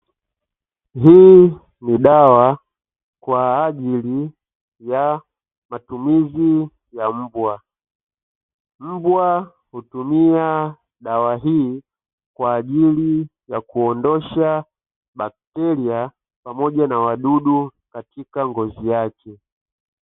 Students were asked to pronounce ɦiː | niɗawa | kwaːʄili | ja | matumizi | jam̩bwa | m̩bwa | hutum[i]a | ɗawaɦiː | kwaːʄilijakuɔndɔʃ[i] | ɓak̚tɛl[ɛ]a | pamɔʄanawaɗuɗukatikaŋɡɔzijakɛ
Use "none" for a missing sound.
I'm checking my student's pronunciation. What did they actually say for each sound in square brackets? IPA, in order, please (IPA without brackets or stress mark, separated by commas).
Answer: i, a, i